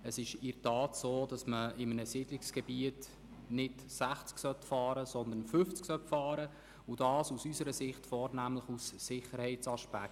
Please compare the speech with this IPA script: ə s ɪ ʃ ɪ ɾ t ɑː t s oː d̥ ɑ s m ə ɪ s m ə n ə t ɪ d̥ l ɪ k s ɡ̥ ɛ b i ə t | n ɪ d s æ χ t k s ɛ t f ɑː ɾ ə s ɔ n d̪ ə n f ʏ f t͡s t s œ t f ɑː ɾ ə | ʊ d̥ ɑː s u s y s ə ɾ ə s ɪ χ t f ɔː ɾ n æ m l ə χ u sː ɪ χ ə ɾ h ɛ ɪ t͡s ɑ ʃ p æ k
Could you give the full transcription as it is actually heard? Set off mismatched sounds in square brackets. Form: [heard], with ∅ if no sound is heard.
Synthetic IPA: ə s ɪ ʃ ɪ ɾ t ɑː t s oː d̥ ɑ s m ə ɪ [∅] m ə n ə [s] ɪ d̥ l ɪ k s ɡ̥ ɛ b i ə t | n ɪ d s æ χ [t͡s] k s [œ] t f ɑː ɾ ə s ɔ n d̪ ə n f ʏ f t͡s [k] s œ t f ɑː ɾ ə | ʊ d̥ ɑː s u s y s ə ɾ ə s ɪ χ t f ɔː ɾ n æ m l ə χ u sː ɪ χ ə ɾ h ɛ ɪ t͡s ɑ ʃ p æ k